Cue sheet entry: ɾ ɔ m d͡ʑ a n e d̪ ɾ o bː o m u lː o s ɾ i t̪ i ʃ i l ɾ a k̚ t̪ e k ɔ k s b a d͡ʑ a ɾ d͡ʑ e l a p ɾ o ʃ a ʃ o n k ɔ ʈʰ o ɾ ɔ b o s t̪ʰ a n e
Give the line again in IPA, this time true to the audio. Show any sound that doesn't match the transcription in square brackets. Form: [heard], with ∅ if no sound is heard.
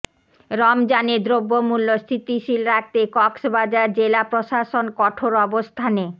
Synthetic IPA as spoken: ɾ ɔ m d͡ʑ a n e d̪ ɾ o bː o m u lː o s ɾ i t̪ i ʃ i l ɾ a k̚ t̪ e k ɔ k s b a d͡ʑ a ɾ d͡ʑ e l a p ɾ o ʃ a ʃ o n k ɔ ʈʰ o ɾ ɔ b o s t̪ʰ a n e